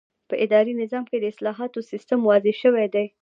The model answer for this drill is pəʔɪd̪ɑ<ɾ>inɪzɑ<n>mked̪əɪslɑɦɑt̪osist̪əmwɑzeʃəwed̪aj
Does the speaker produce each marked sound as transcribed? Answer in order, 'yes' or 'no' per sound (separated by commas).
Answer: yes, no